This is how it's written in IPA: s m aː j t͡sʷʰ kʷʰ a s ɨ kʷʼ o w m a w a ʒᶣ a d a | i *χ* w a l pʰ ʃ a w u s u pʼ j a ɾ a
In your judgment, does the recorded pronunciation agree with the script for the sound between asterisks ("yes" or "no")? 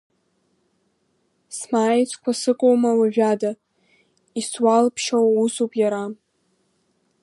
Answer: no